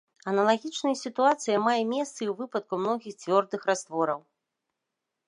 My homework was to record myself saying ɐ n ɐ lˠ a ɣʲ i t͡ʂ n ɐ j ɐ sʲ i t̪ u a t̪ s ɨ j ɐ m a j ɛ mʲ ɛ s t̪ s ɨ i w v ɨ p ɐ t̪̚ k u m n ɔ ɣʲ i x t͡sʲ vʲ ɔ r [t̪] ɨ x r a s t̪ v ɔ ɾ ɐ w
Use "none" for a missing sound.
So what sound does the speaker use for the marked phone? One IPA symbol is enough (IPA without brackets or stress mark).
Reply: d̪